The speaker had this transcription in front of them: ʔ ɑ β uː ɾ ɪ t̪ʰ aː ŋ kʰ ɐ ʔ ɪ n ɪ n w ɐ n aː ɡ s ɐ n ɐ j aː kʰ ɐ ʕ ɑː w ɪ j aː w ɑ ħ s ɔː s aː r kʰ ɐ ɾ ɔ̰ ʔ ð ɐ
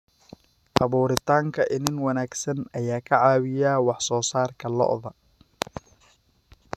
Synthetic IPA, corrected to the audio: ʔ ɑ β uː ɾ ɪ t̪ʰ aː ŋ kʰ ɐ ʔ ɪ n ɪ n w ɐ n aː ɡ s ɐ n ɐ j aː kʰ ɐ ʕ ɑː w ɪ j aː w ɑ ħ s ɔː s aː r kʰ ɐ l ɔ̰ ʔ ð ɐ